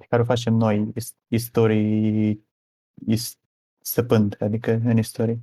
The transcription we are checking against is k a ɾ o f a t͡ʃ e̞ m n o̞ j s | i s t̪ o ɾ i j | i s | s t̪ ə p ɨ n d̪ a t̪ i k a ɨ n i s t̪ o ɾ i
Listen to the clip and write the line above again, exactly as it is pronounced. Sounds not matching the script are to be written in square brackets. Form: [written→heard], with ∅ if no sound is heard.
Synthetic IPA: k a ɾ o f a t͡ʃ e̞ m n o̞ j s | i s t̪ o ɾ i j | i s | s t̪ ə p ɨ n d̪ a [t̪→d̪] i k [a→ə] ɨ n i s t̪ o ɾ i